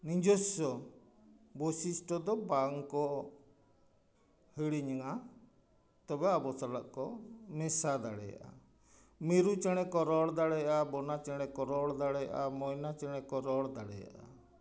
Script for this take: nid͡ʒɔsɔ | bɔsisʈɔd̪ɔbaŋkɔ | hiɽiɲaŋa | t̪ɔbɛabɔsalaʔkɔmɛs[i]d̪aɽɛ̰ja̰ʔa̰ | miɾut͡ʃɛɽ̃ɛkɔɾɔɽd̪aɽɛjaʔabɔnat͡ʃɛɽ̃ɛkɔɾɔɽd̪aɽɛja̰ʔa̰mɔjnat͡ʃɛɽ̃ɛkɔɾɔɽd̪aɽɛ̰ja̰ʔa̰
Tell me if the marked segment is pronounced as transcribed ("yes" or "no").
no